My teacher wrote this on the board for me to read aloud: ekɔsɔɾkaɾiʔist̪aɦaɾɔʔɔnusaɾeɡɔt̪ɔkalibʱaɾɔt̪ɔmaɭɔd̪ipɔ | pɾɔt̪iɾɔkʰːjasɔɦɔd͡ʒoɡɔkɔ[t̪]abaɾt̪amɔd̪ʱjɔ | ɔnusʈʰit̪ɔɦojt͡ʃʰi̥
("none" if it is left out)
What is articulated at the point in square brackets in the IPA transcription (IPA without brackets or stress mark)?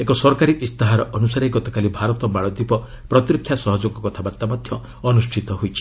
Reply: t̪ʰ